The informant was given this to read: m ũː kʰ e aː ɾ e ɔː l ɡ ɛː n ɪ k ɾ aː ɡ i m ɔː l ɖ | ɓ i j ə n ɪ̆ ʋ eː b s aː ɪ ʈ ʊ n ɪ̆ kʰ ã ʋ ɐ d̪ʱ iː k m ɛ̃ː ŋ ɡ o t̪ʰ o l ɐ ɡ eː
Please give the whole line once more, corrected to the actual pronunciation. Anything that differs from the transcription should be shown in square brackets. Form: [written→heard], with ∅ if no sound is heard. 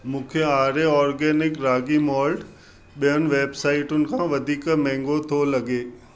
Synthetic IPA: m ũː kʰ e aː ɾ e ɔː [l→ɾ] ɡ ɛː n ɪ k ɾ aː ɡ i m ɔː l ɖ | ɓ i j ə n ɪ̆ ʋ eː b s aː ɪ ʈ ʊ n ɪ̆ kʰ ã ʋ ɐ d̪ʱ iː k m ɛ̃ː ŋ ɡ o t̪ʰ o l ɐ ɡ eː